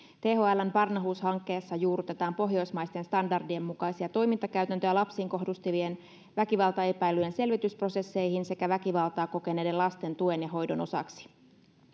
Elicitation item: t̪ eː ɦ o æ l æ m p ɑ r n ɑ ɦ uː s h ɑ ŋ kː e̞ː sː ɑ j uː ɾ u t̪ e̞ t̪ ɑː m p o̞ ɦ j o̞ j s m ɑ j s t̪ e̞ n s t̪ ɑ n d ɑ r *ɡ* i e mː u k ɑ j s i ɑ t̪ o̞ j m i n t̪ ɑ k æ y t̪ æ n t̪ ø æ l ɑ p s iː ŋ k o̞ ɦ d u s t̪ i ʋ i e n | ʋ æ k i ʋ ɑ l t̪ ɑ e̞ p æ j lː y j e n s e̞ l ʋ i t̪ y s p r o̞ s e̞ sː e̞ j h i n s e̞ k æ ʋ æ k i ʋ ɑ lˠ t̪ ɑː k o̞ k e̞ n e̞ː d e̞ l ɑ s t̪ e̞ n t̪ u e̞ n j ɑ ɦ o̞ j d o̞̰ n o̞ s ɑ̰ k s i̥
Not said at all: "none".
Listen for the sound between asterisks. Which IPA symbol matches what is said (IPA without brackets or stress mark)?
d